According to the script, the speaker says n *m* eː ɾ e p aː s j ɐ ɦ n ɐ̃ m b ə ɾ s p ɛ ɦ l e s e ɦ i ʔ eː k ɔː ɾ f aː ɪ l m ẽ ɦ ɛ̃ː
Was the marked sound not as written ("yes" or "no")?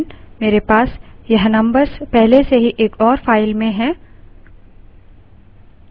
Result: no